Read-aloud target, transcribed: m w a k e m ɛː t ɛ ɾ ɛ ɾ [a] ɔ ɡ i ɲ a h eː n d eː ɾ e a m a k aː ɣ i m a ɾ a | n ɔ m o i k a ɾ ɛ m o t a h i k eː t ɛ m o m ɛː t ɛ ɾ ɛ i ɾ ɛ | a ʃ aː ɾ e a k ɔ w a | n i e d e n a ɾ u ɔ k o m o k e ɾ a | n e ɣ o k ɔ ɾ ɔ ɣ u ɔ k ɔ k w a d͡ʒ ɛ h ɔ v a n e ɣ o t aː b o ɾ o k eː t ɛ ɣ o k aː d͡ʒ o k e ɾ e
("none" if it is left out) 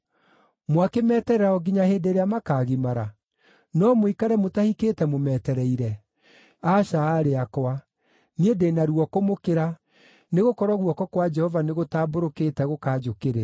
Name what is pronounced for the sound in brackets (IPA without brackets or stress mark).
a